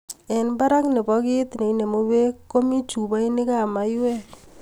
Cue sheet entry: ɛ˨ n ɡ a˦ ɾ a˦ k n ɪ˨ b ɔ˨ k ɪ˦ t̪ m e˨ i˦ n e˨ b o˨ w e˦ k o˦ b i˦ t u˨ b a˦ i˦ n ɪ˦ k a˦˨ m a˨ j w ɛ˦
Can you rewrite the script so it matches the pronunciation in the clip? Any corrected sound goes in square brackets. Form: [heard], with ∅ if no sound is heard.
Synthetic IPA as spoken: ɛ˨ n [b] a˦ ɾ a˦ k n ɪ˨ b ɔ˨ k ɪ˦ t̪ [n] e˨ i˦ n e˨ [m] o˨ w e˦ k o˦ [m] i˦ [t͡ʃ] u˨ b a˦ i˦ n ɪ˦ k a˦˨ m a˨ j w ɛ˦

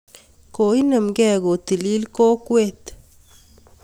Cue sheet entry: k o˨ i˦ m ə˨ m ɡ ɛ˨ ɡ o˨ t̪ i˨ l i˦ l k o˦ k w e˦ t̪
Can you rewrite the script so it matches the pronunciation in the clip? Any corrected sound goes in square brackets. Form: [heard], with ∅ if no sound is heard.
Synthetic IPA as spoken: k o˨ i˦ [n] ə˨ m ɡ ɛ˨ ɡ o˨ t̪ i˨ l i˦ l k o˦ k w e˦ t̪

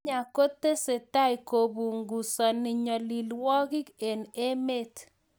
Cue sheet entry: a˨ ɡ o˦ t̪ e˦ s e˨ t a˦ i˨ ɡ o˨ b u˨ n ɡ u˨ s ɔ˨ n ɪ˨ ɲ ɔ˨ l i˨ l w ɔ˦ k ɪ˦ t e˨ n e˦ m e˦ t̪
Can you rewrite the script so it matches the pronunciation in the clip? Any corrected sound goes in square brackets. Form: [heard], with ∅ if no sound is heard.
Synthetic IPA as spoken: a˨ [k] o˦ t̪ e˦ s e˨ t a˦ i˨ [k] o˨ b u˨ [ŋ] ɡ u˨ s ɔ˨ n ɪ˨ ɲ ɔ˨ l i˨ l w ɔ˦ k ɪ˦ [k] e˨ n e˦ m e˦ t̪

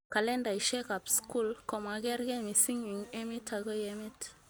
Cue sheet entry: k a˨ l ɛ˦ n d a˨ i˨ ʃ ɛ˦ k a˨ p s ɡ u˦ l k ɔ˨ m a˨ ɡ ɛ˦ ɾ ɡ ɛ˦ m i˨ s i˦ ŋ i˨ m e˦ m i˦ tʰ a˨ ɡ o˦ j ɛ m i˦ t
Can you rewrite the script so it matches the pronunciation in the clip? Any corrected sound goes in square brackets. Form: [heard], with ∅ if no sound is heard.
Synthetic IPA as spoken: k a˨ l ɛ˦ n d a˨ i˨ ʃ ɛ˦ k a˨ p s [k] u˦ l k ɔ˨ m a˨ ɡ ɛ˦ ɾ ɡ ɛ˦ m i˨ s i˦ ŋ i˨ [ŋ] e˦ m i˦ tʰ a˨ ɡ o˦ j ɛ m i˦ t

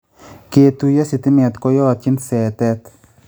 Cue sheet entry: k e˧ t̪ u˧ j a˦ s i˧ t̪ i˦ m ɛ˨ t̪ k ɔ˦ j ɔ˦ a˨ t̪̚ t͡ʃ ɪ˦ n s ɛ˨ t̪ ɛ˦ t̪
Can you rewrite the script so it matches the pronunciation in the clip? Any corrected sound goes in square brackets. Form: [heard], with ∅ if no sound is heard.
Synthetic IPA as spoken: k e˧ t̪ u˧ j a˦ s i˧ t̪ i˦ m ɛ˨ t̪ k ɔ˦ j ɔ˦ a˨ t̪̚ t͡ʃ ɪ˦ n s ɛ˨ t̪ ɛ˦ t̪

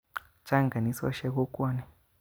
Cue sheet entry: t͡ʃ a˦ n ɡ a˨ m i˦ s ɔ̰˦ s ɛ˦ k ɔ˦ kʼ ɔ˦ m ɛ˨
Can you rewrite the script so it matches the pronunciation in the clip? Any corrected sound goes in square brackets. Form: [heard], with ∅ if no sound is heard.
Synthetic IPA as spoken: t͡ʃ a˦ [ŋ] ɡ a˨ [n] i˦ s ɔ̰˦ [ʃ] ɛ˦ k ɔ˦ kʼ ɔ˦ [n] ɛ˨

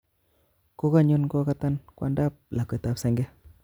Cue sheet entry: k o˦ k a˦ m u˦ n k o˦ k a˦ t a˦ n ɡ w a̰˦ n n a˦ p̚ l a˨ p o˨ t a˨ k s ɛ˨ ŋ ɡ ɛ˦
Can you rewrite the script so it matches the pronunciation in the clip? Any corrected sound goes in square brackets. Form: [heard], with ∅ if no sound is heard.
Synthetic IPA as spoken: k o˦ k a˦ [ɲ] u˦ n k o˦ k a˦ t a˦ n [k] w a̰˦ n [d] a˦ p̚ l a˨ [k] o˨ t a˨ [p] s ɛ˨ ŋ ɡ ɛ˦

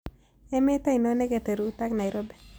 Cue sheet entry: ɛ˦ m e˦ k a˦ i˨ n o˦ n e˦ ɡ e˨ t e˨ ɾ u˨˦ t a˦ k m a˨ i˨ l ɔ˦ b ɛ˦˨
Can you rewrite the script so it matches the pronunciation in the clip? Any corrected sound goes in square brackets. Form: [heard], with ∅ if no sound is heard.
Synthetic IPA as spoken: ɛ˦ m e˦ [t] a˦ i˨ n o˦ n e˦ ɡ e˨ t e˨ ɾ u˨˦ t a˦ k [n] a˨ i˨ [ɾ] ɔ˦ b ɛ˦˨

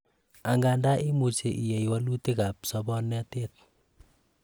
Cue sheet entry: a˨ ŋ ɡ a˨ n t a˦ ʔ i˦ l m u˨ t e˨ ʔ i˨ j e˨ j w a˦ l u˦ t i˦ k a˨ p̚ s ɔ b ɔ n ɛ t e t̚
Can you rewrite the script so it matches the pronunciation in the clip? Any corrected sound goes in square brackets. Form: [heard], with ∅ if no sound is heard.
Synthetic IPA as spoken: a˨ ŋ ɡ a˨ n [d] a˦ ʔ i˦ [∅] m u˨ [t͡ʃ] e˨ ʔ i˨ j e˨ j w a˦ l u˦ t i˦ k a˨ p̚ s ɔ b ɔ n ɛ t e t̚

